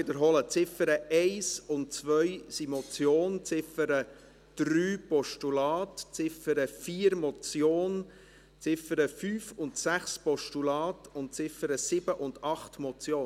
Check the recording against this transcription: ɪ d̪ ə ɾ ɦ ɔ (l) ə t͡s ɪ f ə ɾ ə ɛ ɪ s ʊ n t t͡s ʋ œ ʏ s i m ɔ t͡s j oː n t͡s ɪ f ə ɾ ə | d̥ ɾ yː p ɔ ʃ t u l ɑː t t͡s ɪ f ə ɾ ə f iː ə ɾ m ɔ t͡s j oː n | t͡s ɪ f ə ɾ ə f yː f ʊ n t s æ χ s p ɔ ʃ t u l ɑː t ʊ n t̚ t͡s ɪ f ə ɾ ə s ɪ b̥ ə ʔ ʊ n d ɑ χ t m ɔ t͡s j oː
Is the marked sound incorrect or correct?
correct